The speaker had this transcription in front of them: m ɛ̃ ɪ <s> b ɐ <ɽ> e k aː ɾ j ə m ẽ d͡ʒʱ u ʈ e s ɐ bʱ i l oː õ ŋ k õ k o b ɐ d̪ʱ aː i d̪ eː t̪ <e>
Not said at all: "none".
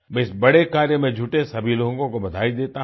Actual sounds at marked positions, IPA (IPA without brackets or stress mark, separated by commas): s, ɽ, a